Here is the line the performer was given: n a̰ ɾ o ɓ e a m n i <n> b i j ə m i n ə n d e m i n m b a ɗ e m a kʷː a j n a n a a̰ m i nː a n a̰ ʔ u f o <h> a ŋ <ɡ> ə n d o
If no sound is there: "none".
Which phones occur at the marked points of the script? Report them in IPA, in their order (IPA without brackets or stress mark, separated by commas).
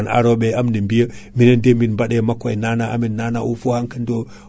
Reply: m, h, k